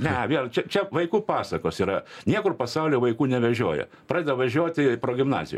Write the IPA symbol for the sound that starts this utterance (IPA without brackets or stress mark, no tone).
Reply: nʲ